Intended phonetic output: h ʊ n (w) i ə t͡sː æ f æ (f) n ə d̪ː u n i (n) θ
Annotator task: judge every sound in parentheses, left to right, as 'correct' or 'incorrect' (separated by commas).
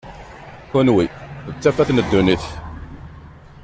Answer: correct, incorrect, incorrect